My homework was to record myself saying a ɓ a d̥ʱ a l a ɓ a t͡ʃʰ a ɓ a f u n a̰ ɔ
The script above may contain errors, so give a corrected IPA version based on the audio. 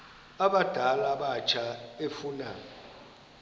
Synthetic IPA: a ɓ a d̥ʱ a l a ɓ a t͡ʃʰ a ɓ e f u n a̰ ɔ